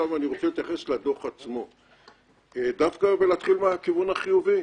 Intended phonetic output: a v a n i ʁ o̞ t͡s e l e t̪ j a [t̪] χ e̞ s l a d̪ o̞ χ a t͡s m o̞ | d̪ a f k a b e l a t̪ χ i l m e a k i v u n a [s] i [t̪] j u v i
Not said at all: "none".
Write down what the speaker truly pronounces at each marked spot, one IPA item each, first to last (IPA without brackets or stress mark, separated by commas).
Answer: none, χ, none